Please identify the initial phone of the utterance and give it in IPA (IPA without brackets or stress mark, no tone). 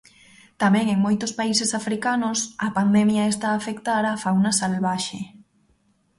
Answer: t̪